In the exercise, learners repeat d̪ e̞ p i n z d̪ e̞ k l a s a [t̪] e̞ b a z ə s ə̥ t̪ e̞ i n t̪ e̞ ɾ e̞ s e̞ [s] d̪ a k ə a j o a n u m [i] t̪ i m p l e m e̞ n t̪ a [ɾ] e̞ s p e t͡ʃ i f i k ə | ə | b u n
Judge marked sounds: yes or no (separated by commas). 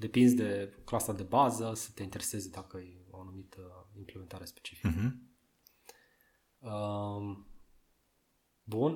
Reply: no, no, yes, yes